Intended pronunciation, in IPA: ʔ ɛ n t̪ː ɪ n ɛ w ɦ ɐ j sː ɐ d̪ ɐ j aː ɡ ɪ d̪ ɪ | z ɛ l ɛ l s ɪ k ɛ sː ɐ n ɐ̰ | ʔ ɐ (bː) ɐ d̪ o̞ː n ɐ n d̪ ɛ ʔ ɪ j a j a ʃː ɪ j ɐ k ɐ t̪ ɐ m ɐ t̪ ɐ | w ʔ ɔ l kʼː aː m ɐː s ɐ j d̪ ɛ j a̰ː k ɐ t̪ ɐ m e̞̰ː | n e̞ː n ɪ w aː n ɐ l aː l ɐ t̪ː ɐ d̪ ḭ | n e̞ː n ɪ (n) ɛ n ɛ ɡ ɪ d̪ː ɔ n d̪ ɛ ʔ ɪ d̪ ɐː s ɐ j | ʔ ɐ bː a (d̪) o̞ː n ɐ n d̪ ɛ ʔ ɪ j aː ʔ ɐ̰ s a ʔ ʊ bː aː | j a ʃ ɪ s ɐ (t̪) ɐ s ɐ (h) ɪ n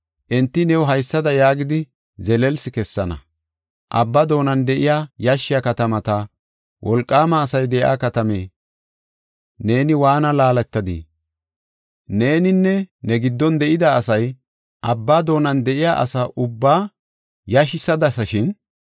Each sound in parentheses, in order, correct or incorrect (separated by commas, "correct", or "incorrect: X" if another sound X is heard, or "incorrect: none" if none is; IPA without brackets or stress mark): correct, incorrect: nː, correct, incorrect: d̪, incorrect: ʃ